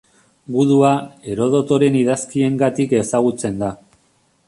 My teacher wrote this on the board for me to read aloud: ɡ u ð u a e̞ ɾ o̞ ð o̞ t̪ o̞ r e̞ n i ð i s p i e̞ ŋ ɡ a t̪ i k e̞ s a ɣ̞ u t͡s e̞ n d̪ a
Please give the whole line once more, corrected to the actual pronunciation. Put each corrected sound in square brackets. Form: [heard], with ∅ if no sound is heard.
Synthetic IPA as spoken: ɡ u ð u a e̞ ɾ o̞ ð o̞ t̪ o̞ [ɾ] e̞ n i ð [a] s [k] i e̞ ŋ ɡ a t̪ i k e̞ s a ɣ̞ u t͡s e̞ n d̪ a